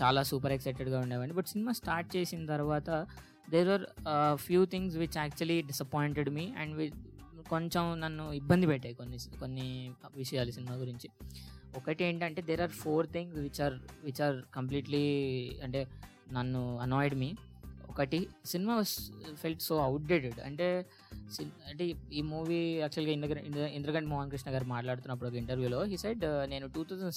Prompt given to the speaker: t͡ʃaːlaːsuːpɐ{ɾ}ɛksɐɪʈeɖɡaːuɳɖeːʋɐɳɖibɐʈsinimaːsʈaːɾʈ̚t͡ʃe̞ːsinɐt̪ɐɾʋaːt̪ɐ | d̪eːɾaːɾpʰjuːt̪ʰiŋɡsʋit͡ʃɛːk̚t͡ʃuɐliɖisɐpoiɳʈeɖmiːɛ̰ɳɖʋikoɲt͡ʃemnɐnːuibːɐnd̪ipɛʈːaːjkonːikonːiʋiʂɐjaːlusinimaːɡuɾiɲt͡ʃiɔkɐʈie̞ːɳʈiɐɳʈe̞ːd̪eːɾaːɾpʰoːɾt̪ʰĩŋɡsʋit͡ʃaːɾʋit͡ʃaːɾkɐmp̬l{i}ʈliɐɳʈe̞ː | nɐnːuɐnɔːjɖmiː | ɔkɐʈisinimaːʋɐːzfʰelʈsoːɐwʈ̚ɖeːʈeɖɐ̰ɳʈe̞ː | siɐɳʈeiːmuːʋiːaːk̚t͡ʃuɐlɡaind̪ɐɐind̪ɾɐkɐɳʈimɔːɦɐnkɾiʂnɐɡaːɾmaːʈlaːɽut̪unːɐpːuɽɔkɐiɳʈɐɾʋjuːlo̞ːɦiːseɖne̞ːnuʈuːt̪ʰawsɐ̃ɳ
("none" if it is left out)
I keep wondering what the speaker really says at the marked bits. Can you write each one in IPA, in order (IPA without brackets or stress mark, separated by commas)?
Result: ɾ, iː